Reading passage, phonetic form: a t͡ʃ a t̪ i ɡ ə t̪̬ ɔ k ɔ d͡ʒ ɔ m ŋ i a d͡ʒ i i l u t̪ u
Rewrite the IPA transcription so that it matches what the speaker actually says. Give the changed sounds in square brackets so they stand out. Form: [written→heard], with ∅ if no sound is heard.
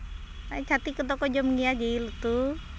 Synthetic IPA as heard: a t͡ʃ a t̪ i [ɡ→k] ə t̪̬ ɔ k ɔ d͡ʒ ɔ m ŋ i a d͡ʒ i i l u t̪ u